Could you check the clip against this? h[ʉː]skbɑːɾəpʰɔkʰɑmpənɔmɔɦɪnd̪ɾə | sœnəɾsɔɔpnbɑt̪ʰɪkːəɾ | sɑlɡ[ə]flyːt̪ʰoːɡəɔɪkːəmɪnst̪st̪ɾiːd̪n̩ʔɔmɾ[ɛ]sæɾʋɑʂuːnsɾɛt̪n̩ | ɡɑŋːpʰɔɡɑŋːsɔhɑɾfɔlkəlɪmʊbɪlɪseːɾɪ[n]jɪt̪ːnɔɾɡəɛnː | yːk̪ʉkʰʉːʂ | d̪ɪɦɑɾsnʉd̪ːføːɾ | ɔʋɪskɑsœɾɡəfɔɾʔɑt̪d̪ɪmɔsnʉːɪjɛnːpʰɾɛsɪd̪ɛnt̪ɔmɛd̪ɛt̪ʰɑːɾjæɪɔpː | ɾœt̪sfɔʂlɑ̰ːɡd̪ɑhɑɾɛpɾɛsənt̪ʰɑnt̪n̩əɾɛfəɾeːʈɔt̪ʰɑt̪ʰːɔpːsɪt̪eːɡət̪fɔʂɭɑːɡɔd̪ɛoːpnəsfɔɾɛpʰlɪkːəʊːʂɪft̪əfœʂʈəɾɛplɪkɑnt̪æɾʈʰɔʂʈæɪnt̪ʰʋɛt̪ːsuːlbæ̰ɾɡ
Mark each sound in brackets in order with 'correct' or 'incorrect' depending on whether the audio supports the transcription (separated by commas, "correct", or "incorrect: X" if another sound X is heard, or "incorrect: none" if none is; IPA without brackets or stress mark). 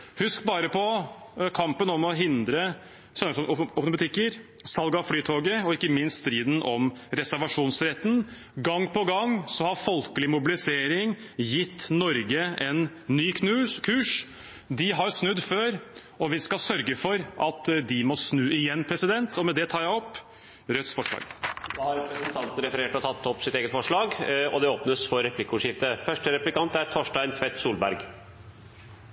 incorrect: ʉ, incorrect: ɑ, correct, incorrect: ŋ